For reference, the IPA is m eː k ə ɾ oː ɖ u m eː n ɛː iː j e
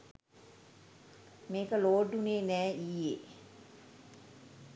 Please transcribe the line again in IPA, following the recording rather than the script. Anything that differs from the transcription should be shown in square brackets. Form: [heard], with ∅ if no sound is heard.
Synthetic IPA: m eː k ə [l] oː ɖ u [n] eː n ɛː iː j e